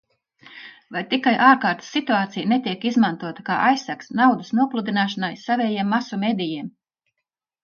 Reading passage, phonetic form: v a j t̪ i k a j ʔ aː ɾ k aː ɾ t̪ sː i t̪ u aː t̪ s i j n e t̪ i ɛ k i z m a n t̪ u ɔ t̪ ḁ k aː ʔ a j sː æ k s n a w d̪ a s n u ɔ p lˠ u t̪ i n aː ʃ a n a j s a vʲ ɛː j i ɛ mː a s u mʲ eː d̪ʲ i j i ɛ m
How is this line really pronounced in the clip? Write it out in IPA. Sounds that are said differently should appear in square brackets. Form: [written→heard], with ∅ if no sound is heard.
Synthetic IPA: v a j t̪ i k a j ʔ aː ɾ k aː ɾ t̪ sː i t̪ u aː t̪ s i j n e t̪ i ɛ k i z m a n t̪ u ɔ t̪ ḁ k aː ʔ a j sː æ k s n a w d̪ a s n u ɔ p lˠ u [t̪→d̪] i n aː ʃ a n a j s a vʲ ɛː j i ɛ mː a s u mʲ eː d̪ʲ i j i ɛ m

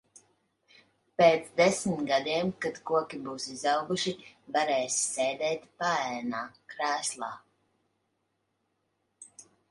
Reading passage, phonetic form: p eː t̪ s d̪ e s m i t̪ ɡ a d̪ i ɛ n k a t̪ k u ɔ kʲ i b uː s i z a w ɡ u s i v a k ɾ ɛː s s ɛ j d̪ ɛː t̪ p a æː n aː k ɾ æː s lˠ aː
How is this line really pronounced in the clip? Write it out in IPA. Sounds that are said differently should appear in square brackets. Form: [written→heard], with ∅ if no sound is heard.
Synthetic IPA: p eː t̪ s d̪ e s m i t̪ ɡ a d̪ i ɛ [n→m] k a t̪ k u ɔ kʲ i b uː s i z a w ɡ u [s→ʃ] i v a [k→∅] ɾ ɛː s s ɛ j d̪ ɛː t̪ p a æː n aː k ɾ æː s lˠ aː

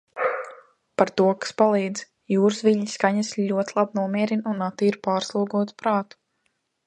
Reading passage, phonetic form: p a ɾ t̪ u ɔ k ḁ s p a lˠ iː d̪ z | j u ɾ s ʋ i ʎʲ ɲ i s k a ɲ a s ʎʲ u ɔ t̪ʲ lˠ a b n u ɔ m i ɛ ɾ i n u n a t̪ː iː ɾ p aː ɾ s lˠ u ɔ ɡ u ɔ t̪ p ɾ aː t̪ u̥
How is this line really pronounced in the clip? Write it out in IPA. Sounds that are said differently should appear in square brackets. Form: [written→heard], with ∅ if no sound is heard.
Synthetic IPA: p a ɾ t̪ u ɔ k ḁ s p a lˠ iː d̪ z | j [u→uː] ɾ s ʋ i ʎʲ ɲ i s k a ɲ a s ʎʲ u ɔ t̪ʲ lˠ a b n u ɔ m i ɛ ɾ i n u n a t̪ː iː ɾ p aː ɾ s lˠ u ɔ ɡ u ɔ t̪ p ɾ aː t̪ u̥

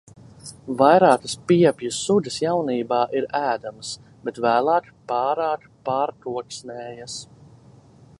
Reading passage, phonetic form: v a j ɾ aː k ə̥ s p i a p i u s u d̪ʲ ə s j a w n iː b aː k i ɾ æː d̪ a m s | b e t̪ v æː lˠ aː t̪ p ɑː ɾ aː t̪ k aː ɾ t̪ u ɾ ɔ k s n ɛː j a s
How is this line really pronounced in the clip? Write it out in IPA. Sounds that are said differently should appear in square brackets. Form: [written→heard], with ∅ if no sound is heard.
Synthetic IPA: v a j ɾ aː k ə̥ s p i [a→ɛ] p [i→j] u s u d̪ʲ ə s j a w n iː b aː [k→ʔ] i ɾ æː d̪ a m s | b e t̪ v æː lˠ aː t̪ p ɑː ɾ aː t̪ [k→p] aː ɾ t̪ u [ɾ→∅] ɔ k s n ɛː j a s

